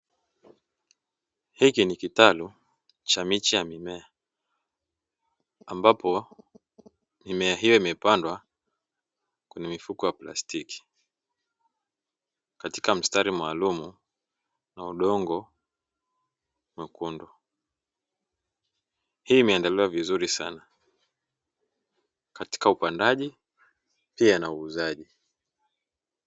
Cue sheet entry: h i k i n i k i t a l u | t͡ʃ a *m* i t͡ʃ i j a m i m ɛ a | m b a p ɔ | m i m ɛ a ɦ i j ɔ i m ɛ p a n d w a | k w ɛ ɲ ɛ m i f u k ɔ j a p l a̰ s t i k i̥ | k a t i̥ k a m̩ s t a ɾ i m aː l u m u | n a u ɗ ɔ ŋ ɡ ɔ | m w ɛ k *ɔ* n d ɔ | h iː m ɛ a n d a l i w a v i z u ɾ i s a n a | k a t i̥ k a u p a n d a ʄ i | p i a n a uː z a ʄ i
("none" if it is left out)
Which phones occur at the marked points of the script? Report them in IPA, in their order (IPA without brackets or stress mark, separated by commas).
m, u